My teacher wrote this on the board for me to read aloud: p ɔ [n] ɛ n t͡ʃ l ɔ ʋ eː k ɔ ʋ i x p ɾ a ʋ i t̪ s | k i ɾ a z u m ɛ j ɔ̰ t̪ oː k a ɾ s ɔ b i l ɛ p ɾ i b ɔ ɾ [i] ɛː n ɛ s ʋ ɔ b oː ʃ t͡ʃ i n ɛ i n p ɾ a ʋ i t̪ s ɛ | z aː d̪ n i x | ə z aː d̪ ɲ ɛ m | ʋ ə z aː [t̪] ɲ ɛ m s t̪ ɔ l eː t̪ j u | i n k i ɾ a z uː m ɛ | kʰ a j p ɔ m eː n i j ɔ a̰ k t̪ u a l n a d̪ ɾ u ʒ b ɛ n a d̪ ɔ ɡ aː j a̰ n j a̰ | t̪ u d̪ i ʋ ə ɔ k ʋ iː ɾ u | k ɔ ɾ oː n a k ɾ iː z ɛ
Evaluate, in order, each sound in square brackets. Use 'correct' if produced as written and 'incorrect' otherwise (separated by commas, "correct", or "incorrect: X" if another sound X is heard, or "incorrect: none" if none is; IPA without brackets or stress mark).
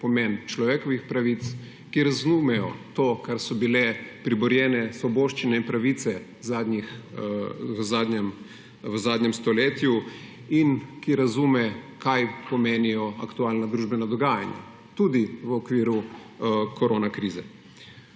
incorrect: m, incorrect: j, incorrect: d̪